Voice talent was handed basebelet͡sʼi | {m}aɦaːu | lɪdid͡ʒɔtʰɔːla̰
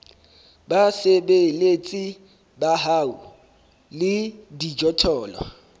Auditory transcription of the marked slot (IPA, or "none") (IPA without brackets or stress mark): b